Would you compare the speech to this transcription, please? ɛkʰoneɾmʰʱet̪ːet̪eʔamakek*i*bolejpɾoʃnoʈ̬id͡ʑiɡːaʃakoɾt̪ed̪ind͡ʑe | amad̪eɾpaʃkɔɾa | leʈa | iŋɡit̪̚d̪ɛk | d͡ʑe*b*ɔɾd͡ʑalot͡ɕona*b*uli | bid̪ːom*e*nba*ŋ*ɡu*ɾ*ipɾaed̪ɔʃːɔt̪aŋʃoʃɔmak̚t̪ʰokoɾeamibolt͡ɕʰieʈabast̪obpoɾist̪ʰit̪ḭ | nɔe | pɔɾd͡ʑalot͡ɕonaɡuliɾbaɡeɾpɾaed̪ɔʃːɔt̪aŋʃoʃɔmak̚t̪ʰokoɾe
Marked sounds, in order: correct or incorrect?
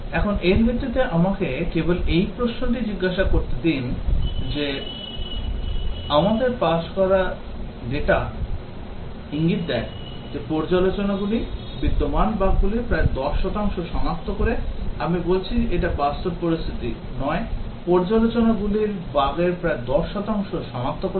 incorrect: e, incorrect: p, incorrect: ɡ, incorrect: a, incorrect: ɡ, incorrect: l

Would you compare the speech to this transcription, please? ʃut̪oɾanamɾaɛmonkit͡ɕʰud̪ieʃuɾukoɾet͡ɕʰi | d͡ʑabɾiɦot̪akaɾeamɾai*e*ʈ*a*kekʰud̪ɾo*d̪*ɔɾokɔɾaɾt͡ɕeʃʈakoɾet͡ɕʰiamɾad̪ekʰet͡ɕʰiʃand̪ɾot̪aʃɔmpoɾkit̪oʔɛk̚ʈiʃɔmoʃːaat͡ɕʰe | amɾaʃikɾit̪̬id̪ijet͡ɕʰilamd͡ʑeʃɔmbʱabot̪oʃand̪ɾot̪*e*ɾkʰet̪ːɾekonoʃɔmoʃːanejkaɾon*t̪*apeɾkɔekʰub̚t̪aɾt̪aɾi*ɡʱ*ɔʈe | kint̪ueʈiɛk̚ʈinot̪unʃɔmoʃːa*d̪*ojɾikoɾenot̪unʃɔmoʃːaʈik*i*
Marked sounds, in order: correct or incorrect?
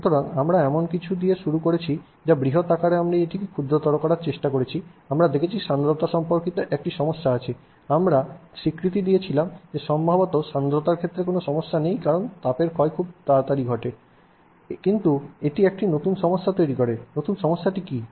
correct, incorrect: i, incorrect: t̪, incorrect: a, correct, correct, incorrect: t̪, correct

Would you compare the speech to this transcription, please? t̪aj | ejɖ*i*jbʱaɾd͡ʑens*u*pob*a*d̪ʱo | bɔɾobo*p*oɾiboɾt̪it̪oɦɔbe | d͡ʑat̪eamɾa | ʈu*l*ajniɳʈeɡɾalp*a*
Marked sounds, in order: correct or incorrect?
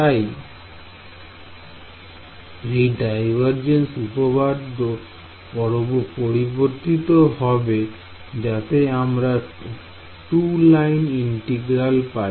incorrect: a, correct, correct, correct, correct, correct

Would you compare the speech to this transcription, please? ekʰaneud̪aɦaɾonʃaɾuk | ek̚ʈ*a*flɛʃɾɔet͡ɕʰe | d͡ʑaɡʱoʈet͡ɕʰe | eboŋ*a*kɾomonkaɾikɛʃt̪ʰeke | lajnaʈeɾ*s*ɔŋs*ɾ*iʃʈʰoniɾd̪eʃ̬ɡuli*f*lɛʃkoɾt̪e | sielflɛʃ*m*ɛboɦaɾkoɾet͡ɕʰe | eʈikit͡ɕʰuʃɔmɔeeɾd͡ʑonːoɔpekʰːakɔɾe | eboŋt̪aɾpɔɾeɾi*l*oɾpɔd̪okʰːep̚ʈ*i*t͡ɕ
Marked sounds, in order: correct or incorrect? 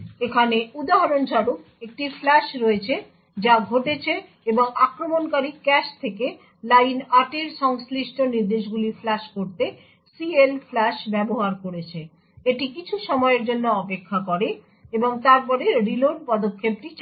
incorrect: i, correct, incorrect: ʃ, incorrect: l, correct, incorrect: b, correct, correct

